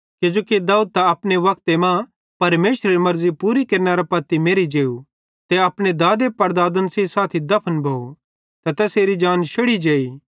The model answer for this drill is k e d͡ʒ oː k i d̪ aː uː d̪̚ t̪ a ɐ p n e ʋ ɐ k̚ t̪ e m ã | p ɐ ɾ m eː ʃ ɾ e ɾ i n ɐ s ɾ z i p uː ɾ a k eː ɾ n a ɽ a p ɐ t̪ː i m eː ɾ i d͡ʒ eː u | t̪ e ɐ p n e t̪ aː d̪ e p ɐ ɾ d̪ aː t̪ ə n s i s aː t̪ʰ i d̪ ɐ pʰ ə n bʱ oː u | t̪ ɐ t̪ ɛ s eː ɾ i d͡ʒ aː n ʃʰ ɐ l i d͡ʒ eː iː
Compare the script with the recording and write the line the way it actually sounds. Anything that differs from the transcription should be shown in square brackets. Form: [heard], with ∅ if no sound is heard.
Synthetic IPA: k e d͡ʒ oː k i d̪ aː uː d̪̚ t̪ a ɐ p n e ʋ ɐ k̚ t̪ e m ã | p ɐ ɾ m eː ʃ ɾ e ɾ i [m] ɐ [∅] ɾ z i p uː ɾ [i] k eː ɾ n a [ɾ] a p ɐ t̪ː i m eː ɾ i d͡ʒ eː u | t̪ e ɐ p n e [d̪] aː d̪ e p ɐ ɾ d̪ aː [d̪] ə n s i s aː t̪ʰ i d̪ ɐ pʰ ə n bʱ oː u | t̪ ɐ t̪ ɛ s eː ɾ i d͡ʒ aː n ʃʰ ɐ [ɽ] i d͡ʒ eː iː

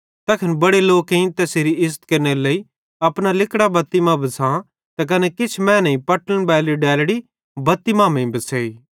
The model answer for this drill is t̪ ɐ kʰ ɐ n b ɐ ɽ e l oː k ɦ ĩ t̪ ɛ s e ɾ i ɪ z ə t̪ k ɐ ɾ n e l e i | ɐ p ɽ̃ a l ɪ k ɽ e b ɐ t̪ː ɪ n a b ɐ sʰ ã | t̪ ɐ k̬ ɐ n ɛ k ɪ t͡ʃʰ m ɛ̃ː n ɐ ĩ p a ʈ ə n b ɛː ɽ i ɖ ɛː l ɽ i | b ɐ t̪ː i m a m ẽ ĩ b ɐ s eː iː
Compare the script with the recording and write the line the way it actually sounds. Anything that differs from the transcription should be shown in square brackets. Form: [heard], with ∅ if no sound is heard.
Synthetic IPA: t̪ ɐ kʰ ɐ n b ɐ ɽ e l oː k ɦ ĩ t̪ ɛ s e ɾ i ɪ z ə t̪ k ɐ ɾ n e l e i | ɐ p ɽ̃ a l ɪ k ɽ [a] b ɐ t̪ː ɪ [m] a b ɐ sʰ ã | t̪ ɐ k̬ ɐ n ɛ k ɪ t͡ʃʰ m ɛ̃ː n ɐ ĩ p [ɐ] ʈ ə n b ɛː [l] i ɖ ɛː l ɽ i | b ɐ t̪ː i m a m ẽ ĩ b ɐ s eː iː

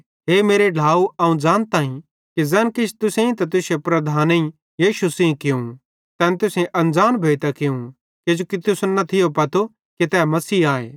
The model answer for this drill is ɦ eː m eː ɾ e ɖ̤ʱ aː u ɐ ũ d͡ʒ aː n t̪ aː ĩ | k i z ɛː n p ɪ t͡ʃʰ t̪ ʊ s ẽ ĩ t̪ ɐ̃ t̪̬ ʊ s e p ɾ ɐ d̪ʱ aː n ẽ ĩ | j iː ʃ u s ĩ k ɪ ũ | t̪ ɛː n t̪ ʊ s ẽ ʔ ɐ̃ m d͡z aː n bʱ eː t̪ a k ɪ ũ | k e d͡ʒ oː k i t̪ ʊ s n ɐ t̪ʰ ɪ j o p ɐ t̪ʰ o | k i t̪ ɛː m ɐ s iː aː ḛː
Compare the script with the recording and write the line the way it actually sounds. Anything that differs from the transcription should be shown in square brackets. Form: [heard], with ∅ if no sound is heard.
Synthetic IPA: ɦ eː m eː ɾ e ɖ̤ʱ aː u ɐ ũ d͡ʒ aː n t̪ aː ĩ | k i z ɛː n [k] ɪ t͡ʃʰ t̪ ʊ s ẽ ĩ t̪ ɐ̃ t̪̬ ʊ s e p ɾ ɐ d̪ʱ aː n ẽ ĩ | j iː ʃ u s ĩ k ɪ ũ | t̪ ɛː n t̪ ʊ s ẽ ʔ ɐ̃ [n] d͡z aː n bʱ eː t̪ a k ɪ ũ | k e d͡ʒ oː k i t̪ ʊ s n ɐ t̪ʰ ɪ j o p ɐ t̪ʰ o | k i t̪ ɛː m ɐ s iː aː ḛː

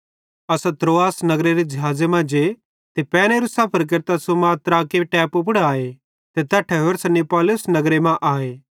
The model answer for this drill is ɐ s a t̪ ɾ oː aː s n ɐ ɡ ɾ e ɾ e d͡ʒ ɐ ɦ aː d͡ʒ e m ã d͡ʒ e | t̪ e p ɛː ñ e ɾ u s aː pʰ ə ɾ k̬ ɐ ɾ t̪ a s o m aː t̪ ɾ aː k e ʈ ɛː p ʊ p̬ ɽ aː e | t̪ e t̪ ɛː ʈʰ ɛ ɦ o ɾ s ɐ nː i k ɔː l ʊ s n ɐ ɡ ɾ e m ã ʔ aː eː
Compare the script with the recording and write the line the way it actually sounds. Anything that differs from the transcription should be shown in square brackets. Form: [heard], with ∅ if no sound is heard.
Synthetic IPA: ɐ s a t̪ ɾ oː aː s n ɐ ɡ ɾ e ɾ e d͡ʒ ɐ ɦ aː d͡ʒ e m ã d͡ʒ e | t̪ e p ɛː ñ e ɾ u s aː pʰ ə ɾ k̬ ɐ ɾ t̪ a s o m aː t̪ ɾ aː k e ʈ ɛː p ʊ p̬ ɽ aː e | t̪ e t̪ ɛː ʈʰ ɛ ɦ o ɾ s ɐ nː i [p] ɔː l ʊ s n ɐ ɡ ɾ e m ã ʔ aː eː

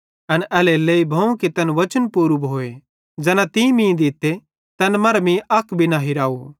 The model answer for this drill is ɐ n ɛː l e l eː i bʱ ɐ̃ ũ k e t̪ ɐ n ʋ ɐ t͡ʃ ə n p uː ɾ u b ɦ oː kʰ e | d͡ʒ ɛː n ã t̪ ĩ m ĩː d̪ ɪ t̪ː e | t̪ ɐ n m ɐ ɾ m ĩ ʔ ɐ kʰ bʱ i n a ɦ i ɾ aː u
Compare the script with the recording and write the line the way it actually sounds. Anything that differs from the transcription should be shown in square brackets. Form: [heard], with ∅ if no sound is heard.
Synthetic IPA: ɐ n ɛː l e l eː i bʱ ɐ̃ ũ k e t̪ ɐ n ʋ ɐ t͡ʃ ə n p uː ɾ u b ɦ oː [∅] e | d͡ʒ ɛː n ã t̪ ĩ m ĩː d̪ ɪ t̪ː e | t̪ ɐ n m ɐ ɾ m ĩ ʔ ɐ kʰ bʱ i n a ɦ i ɾ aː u

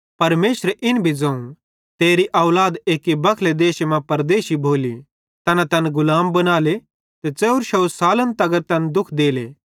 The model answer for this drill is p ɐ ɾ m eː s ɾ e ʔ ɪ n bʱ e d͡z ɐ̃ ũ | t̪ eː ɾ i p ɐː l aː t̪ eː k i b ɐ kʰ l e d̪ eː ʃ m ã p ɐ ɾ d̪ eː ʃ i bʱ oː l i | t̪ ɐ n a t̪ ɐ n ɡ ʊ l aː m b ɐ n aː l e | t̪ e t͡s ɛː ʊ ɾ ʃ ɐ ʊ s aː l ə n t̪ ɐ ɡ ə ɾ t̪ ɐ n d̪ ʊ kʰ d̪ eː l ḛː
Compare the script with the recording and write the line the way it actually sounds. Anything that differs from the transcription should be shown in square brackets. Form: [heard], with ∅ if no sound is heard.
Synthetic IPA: p ɐ ɾ m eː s ɾ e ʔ ɪ n bʱ [i] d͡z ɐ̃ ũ | t̪ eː ɾ i [ʔ] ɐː l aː [d̪] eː k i b ɐ kʰ l e d̪ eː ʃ m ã p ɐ ɾ d̪ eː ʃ i bʱ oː l i | t̪ ɐ n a t̪ ɐ n ɡ ʊ l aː m b ɐ n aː l e | t̪ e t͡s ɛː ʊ ɾ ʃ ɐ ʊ s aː l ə n t̪ ɐ ɡ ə ɾ t̪ ɐ n d̪ ʊ kʰ d̪ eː l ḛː

